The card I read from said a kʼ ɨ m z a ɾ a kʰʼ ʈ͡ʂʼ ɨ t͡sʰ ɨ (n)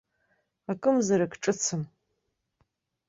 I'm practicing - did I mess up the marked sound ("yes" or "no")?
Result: yes